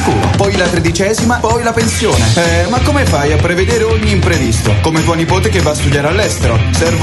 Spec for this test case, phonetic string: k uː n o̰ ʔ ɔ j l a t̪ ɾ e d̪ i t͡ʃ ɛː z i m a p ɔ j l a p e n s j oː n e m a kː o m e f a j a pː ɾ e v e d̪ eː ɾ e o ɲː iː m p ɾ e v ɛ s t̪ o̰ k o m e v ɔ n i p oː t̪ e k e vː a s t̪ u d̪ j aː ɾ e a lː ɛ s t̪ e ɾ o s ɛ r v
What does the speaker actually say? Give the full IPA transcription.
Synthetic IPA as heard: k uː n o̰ p ɔ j l a t̪ ɾ e d̪ i t͡ʃ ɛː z i m a p ɔ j l a p e n s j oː n e m a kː o m e f a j a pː ɾ e v e d̪ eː ɾ e o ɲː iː m p ɾ e v i s t̪ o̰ k o m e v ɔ n i p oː t̪ e k e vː a s t̪ u d̪ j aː ɾ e a lː ɛ s t̪ e ɾ o s ɛ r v